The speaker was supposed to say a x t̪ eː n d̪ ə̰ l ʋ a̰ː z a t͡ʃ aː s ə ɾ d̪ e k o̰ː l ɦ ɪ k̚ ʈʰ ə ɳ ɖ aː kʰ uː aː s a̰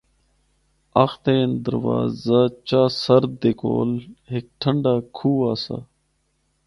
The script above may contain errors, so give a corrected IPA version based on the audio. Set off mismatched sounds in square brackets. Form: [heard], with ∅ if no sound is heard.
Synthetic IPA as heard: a x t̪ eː n d̪ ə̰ [ɾ] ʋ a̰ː z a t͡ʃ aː s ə ɾ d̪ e k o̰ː l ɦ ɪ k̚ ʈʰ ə ɳ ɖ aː kʰ uː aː s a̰